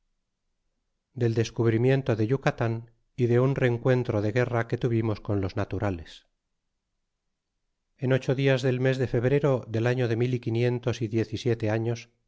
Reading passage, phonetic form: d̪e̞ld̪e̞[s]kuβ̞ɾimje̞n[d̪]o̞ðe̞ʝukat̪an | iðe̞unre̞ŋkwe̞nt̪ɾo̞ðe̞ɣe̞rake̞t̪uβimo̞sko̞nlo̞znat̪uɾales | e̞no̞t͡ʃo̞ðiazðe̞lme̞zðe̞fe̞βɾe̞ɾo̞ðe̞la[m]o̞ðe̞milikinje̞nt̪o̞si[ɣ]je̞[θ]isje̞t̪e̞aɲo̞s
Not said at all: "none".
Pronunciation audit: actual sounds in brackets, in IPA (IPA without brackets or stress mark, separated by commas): s, t̪, ɲ, ð, θ